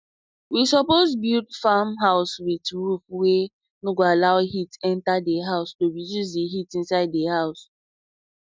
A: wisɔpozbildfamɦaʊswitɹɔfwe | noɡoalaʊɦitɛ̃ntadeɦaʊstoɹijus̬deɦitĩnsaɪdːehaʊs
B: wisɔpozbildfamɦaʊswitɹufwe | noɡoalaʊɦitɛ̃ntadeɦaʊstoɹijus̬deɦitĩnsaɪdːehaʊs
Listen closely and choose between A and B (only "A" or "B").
B